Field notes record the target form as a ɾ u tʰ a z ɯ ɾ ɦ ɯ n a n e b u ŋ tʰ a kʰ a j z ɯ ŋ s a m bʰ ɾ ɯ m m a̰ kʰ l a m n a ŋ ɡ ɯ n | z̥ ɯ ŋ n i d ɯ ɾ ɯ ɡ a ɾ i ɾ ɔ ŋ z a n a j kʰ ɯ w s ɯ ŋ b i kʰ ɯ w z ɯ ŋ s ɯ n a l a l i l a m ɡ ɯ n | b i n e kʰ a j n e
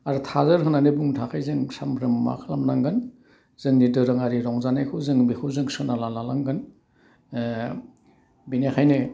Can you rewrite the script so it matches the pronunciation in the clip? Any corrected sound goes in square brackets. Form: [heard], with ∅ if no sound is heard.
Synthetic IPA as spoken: a ɾ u tʰ a z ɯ ɾ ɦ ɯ n a n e b u ŋ tʰ a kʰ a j z ɯ ŋ s a m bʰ ɾ ɯ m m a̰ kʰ l a m n a ŋ ɡ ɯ n | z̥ ɯ ŋ n i d ɯ ɾ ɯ [ŋ] a ɾ i ɾ ɔ ŋ z a n a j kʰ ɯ w [z] ɯ ŋ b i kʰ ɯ w z ɯ ŋ s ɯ n a l a l [a] l a [ŋ] ɡ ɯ n | b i n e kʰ a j n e